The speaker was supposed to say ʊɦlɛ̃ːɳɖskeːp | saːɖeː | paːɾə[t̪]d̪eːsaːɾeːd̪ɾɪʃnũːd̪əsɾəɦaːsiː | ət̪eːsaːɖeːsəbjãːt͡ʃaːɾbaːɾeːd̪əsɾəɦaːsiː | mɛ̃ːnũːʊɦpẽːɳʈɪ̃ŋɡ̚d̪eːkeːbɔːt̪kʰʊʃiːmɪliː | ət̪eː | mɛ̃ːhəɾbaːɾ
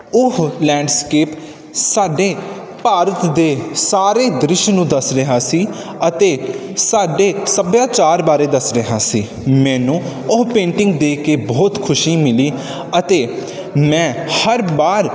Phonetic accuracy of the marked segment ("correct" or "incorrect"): correct